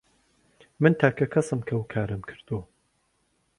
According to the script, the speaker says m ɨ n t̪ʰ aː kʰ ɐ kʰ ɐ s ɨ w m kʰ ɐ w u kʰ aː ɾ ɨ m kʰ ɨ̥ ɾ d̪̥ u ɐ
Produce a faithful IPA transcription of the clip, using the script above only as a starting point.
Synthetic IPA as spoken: m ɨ n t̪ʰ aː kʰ ɐ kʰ ɐ s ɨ m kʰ ɐ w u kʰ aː ɾ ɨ m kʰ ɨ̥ ɾ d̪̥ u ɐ